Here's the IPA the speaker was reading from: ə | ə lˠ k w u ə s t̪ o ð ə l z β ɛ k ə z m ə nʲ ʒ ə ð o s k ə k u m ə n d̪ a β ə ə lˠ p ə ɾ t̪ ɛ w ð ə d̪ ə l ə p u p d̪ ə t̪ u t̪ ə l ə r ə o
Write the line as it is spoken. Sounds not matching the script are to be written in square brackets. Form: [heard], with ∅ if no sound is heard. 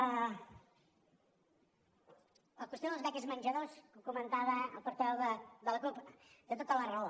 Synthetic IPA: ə | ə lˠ k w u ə s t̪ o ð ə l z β ɛ k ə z m ə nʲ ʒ ə ð o s k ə k u m ə n [t̪] a β ə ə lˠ p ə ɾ t̪ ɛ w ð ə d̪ ə l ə [k] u p d̪ ə t̪ [o] t̪ ə l ə r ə o

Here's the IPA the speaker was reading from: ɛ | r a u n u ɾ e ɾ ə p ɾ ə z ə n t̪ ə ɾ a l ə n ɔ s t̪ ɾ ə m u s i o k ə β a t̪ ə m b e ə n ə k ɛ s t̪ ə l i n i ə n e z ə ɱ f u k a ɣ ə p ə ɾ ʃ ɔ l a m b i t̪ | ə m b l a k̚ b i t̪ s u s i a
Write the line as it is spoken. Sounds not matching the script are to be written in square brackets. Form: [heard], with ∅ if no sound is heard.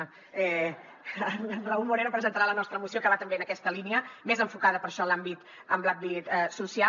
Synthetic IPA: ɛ | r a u [m] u ɾ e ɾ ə p ɾ ə z ə n t̪ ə ɾ a l ə n ɔ s t̪ ɾ ə m u s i o k ə β a t̪ ə m b e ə n ə k ɛ s t̪ ə l i n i ə [m] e z ə ɱ f u k a [ð] ə p ə ɾ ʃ ɔ l a m b i t̪ | ə m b l a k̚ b i t̪ s u s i a

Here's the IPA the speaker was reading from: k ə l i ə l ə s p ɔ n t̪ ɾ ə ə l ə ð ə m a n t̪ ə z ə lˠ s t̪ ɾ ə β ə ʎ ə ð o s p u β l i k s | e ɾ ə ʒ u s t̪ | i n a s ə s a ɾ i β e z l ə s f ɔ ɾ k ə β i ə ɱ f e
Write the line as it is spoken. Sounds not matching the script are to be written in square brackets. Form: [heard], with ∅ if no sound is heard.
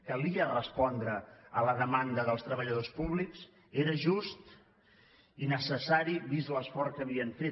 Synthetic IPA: k ə l i ə [r] ə s p ɔ n [d̪] ɾ ə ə l ə ð ə m a n [d̪] ə [ð] ə lˠ s t̪ ɾ ə β ə ʎ ə ð o s p u β l i k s | e ɾ ə ʒ u s t̪ | i n [ə] s ə s a ɾ i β [i] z l ə s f ɔ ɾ k ə β i ə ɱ f e

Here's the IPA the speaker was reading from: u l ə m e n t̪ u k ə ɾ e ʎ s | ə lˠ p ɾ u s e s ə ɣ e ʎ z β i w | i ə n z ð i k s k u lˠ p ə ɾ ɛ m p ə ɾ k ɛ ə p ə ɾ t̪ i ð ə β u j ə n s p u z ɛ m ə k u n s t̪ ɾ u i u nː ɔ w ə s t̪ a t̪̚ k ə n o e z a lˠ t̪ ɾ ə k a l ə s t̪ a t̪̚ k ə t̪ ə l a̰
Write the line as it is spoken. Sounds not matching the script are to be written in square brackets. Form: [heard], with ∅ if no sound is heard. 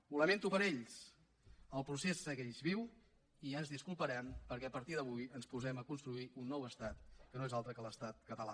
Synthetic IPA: u l ə m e n t̪ u [p] ə ɾ e ʎ s | ə lˠ p ɾ u s e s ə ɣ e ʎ z β i w | i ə n z ð i [∅] s k u lˠ p ə ɾ ɛ m p ə ɾ k ɛ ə p ə ɾ t̪ i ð ə β u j ə n s p u z ɛ m ə k u n s t̪ ɾ u i u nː ɔ w ə s t̪ a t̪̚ k ə n o e z a lˠ t̪ ɾ ə k [ə] l ə s t̪ a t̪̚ k ə t̪ ə l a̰

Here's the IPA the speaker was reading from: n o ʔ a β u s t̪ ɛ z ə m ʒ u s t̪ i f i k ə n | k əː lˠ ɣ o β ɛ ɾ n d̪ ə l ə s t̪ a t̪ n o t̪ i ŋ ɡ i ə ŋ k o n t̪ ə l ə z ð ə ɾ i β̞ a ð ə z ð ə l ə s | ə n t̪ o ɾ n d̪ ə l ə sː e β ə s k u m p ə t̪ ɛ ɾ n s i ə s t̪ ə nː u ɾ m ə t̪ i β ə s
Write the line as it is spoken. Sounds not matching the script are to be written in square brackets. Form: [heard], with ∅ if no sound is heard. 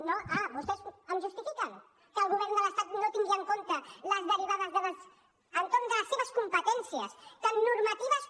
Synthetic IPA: n o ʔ a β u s t̪ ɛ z ə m ʒ u s t̪ i f i k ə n | k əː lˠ ɣ [u] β ɛ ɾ n d̪ ə l ə s t̪ a t̪ n o t̪ i ŋ ɡ i ə ŋ k o n t̪ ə l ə z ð ə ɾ i β̞ a ð ə z ð ə l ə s | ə n t̪ o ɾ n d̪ ə l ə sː e β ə s k u m p ə t̪ ɛ [∅] n s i ə s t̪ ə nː u ɾ m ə t̪ i β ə s

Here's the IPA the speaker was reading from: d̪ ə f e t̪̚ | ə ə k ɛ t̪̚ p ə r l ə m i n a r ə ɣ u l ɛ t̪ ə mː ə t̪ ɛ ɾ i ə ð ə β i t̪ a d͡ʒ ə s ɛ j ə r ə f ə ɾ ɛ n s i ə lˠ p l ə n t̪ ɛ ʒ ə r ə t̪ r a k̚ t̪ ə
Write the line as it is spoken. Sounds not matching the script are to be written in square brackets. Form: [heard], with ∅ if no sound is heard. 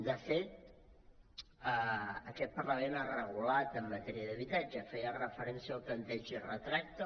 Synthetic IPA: d̪ ə f e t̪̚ | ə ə k ɛ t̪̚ p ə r l ə m [e] n a r ə ɣ u l [a] t̪ ə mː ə t̪ ɛ ɾ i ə ð ə β i t̪ a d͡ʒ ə [f] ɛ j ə r ə f ə ɾ ɛ n s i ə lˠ p l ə n t̪ ɛ ʒ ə r ə t̪ [ɾ] a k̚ t̪ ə

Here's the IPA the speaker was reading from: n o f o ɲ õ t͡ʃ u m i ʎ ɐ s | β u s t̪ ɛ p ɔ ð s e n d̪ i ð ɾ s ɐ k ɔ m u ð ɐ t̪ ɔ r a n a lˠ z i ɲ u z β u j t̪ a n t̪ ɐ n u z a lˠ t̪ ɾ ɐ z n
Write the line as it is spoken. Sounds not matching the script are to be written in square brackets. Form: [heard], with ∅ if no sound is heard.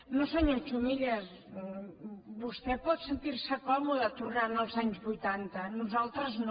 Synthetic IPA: n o [s] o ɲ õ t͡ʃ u m i ʎ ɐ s | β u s t̪ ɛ p ɔ ð s e n [t̪] i [∅] ɾ s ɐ k ɔ m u ð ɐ t̪ [u] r a n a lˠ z [a] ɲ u z β u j t̪ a n t̪ ɐ n u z a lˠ t̪ ɾ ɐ z n

